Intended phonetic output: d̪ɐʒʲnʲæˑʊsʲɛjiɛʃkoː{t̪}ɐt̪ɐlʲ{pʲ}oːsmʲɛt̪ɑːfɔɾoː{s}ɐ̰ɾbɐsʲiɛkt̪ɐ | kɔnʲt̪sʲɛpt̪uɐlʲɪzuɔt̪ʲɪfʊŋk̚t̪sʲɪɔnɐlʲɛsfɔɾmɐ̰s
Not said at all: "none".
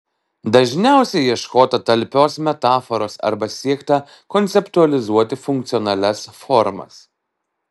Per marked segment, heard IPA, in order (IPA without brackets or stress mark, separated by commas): t̪, pʲ, s